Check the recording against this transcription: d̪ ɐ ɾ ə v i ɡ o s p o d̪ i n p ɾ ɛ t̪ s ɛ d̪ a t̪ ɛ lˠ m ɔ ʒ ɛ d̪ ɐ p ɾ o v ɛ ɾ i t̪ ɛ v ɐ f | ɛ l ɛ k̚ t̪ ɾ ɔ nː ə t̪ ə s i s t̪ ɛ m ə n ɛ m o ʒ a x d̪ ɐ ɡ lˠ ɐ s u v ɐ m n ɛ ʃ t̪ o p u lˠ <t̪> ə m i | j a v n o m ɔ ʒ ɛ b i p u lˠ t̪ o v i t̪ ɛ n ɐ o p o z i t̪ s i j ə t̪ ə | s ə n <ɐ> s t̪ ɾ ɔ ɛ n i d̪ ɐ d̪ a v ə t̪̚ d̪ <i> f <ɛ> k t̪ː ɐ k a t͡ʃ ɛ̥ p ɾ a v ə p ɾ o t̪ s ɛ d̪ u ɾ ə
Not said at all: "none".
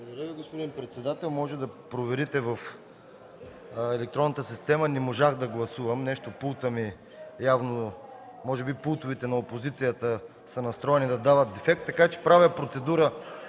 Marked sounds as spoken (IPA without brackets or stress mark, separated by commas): t̪, ɐ, ɛ, ɛ